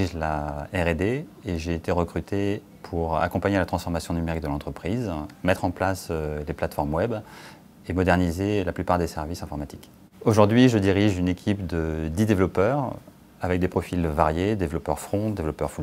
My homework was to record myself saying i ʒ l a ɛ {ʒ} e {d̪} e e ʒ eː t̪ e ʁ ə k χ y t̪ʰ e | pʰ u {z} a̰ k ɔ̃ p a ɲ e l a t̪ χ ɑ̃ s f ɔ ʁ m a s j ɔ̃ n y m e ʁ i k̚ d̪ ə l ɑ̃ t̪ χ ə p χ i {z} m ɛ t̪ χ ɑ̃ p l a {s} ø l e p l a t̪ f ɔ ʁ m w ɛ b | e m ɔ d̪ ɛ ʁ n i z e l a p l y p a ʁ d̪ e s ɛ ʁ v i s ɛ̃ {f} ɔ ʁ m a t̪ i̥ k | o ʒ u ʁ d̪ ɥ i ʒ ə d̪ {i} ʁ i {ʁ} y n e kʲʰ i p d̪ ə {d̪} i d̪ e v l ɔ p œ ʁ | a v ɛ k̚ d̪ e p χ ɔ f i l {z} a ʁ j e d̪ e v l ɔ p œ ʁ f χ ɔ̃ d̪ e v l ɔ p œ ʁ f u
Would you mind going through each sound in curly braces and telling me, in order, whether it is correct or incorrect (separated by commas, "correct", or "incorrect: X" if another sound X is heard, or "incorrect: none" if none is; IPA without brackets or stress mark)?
incorrect: ʁ, correct, incorrect: ʁ, correct, correct, correct, correct, incorrect: ʒ, correct, incorrect: v